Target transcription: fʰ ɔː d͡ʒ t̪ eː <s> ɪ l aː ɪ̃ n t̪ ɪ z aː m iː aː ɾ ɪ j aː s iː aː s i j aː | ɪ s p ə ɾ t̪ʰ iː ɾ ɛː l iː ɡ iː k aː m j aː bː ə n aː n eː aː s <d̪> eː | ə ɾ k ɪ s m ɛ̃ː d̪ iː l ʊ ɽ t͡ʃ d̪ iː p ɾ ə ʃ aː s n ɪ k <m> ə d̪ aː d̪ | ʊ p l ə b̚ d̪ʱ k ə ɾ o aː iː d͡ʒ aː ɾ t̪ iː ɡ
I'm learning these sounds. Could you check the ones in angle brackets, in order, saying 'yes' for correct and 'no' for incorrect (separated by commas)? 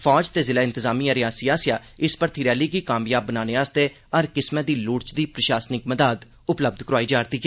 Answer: no, no, yes